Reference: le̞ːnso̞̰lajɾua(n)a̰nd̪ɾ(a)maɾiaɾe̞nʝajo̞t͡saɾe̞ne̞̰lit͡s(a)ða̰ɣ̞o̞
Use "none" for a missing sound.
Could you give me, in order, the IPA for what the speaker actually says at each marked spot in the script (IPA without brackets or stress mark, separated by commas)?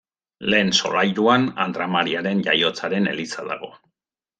n, a, a